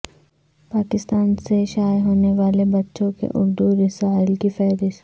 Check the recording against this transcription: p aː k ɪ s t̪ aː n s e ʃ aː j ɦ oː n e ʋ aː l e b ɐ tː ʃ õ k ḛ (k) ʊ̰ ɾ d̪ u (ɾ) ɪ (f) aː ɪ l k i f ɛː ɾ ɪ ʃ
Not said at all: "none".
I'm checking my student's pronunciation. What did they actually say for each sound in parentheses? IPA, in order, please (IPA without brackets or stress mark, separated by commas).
ʔ, ɾ, s